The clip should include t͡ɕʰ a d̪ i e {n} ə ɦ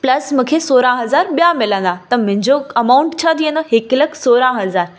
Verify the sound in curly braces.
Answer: correct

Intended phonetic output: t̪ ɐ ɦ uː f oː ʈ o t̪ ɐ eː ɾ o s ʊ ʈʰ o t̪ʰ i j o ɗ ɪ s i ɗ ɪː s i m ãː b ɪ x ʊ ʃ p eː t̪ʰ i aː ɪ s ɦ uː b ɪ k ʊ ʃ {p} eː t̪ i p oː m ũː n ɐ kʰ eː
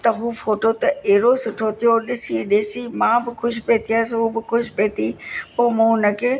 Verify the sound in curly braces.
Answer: correct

